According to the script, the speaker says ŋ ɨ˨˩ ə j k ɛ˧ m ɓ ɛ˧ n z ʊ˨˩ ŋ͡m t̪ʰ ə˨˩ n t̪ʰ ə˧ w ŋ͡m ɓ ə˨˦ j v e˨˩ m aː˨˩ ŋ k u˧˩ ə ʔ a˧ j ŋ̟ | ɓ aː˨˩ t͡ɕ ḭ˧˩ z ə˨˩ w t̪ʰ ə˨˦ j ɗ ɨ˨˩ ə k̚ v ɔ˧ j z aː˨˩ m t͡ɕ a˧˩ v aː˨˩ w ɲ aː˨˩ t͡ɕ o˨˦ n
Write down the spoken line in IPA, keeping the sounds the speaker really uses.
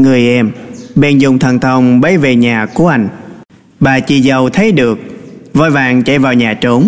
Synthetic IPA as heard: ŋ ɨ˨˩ ə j ʔ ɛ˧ m ɓ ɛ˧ n z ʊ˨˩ ŋ͡m t̪ʰ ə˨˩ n t̪ʰ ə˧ w ŋ͡m ɓ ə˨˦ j v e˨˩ ɲ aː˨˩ k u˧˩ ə ʔ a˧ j ŋ̟ | ɓ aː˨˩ t͡ɕ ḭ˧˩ z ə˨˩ w t̪ʰ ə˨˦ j ɗ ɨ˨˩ ə k̚ v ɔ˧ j v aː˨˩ ŋ t͡ɕ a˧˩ v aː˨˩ w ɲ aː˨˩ t͡ɕ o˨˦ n